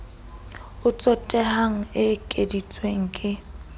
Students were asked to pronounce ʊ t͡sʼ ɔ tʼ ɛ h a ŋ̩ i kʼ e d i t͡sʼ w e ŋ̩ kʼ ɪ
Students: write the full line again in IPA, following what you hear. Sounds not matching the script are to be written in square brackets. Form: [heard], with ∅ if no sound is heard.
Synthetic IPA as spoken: ʊ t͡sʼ ɔ tʼ ɛ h a ŋ̩ [ɪ] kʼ e d i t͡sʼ w e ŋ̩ kʼ ɪ